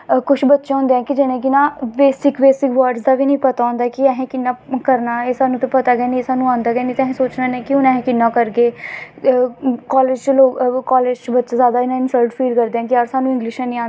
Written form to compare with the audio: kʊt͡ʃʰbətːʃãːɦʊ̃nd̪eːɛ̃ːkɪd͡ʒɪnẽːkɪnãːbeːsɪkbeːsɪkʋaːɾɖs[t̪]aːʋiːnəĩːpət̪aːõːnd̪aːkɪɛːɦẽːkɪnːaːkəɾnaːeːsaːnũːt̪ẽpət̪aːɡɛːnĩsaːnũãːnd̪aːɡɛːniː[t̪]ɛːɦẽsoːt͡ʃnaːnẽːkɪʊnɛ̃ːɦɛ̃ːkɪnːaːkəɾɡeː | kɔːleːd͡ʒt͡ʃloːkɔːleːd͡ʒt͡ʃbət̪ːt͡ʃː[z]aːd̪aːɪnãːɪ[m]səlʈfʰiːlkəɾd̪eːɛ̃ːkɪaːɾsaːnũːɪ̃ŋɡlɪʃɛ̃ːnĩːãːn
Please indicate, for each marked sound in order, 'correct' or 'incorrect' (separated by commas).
incorrect, correct, correct, incorrect